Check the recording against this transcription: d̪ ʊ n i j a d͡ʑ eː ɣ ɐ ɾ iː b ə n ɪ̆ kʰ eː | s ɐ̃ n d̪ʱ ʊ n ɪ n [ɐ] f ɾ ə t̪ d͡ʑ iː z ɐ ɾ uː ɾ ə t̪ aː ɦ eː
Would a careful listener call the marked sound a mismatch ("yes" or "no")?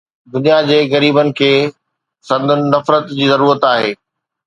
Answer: no